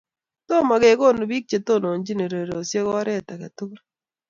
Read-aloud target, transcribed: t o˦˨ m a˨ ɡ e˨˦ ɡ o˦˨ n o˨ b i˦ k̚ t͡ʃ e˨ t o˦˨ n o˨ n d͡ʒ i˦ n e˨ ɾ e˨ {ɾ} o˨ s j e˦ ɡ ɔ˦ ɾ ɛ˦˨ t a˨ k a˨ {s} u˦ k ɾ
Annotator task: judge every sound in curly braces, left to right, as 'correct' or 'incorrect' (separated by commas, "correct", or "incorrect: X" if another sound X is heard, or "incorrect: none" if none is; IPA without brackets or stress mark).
correct, incorrect: t